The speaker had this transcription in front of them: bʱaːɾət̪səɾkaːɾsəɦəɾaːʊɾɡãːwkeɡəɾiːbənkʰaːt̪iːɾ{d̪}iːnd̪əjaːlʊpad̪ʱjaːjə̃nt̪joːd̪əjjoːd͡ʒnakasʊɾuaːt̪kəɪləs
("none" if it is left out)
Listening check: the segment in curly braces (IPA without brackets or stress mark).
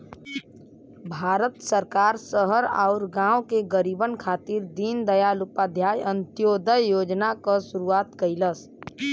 d̪